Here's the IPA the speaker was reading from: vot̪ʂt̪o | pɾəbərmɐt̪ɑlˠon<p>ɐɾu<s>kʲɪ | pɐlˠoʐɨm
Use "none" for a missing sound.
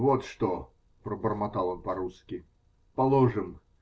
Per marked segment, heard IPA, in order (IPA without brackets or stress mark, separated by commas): p, s